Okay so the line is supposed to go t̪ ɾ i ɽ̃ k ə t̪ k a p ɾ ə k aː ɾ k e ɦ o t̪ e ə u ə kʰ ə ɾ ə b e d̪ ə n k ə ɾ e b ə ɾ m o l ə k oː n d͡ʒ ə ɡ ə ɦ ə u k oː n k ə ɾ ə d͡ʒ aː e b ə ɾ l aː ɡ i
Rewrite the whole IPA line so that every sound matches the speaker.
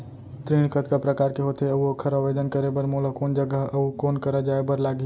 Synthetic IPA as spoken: t̪ ɾ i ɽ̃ k ə t̪ k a p ɾ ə k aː ɾ k e ɦ o t̪ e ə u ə kʰ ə ɾ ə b e d̪ ə n k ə ɾ e b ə ɾ m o l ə k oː n d͡ʒ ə ɡ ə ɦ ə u k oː n k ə ɾ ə d͡ʒ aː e b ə ɾ l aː ɡ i